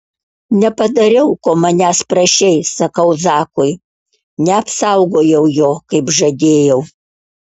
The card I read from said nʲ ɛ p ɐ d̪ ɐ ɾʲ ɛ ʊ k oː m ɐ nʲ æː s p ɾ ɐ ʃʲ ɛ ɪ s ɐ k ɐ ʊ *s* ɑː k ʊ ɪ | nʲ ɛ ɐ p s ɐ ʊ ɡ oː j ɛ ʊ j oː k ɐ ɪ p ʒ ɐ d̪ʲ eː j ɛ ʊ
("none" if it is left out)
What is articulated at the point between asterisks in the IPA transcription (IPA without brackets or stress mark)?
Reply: z